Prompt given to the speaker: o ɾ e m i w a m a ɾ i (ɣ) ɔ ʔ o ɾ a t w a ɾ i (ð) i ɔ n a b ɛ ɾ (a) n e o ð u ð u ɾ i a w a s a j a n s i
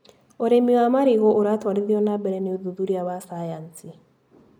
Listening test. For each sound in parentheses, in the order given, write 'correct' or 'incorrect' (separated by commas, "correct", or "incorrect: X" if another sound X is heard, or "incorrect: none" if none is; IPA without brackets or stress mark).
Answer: correct, correct, incorrect: ɛ